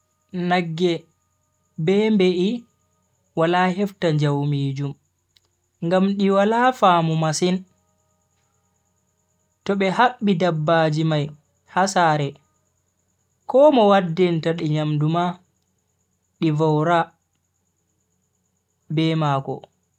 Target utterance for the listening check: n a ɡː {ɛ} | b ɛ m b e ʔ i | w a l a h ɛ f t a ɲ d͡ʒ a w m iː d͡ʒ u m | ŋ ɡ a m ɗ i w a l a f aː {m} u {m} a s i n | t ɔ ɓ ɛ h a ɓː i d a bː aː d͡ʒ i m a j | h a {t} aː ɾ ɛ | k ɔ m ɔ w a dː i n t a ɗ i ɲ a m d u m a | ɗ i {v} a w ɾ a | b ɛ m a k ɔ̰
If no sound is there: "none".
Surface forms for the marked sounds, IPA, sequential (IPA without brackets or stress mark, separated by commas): ɛ, m, m, s, v